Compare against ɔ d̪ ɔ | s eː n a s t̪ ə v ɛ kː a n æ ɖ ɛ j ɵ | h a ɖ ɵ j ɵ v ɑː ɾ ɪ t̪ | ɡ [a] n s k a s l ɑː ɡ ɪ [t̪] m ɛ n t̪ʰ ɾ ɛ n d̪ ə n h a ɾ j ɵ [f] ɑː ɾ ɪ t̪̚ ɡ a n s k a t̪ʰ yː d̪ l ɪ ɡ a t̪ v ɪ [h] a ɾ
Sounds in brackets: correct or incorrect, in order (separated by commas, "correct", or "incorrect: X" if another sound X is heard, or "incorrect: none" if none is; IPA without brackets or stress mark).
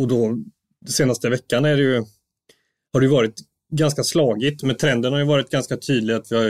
correct, correct, incorrect: v, correct